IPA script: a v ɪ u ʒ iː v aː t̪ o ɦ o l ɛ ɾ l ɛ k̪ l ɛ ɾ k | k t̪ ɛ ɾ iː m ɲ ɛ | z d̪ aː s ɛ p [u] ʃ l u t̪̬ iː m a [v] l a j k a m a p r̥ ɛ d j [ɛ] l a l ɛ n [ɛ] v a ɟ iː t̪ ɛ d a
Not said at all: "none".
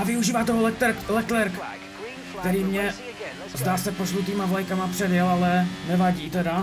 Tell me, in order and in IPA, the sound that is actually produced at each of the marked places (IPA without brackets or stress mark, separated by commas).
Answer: o, v, ɛ, ɛ